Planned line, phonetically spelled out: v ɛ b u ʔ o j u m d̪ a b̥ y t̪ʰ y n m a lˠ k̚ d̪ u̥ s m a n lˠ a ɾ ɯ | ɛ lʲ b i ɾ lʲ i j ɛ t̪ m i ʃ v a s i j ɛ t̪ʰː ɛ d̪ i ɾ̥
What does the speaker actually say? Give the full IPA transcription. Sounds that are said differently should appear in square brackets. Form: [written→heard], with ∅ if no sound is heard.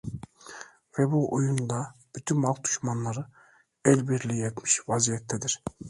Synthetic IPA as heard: v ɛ b u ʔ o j u [m→n] d̪ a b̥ y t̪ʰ y n m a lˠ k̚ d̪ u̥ [s→ʃ] m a n lˠ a ɾ ɯ | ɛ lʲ b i ɾ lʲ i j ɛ t̪ m i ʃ v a [s→z] i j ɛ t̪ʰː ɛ d̪ i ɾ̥